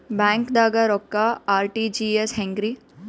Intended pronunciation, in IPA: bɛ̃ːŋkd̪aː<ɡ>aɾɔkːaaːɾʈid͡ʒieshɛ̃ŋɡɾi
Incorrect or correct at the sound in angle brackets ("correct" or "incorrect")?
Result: correct